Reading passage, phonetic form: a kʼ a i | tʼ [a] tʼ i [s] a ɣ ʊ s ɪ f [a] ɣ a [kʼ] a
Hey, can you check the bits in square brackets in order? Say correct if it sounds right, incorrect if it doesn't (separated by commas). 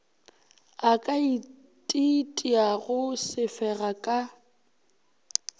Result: incorrect, incorrect, incorrect, correct